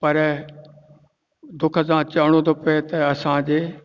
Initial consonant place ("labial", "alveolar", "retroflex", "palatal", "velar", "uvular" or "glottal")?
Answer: labial